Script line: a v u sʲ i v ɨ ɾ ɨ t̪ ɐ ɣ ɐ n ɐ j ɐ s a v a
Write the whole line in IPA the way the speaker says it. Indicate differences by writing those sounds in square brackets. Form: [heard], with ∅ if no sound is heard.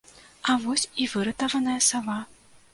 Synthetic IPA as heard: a v [ɔ] sʲ i v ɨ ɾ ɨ t̪ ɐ [v] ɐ n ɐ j ɐ s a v a